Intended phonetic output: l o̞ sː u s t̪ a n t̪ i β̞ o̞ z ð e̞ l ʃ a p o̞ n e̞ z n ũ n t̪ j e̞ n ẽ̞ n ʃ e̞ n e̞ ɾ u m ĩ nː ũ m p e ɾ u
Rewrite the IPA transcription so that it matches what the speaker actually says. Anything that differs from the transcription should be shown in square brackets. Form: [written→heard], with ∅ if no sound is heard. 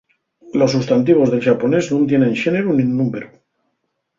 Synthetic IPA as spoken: l o̞ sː u s t̪ a n t̪ i β̞ o̞ z ð e̞ l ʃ a p o̞ n e̞ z n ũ n t̪ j e̞ n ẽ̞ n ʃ e̞ n e̞ ɾ u [m→n] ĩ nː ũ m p e ɾ u